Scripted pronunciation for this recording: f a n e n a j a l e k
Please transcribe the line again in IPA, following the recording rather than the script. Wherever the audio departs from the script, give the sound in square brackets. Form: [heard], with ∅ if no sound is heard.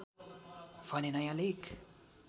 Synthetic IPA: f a n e n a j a l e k